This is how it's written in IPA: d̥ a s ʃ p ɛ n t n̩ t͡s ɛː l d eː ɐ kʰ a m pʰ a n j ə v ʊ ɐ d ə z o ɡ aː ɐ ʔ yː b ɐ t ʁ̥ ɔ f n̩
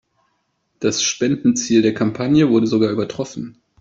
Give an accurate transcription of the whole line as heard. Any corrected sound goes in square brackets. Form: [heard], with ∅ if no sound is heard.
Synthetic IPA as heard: d̥ a s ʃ p ɛ n [d] n̩ t͡s [iː] l d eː ɐ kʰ a m pʰ a n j ə v ʊ ɐ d ə z o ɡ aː ɐ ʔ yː b ɐ t ʁ̥ ɔ f n̩